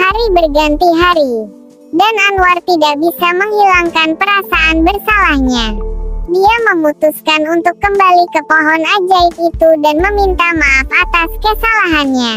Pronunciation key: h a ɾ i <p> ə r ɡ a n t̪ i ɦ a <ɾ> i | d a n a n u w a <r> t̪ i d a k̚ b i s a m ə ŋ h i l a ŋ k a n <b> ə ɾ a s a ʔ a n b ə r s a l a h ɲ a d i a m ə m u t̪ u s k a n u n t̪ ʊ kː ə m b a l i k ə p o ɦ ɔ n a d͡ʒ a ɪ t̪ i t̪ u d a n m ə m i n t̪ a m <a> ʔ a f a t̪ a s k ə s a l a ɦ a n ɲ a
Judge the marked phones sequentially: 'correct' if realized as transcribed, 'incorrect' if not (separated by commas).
incorrect, correct, correct, incorrect, correct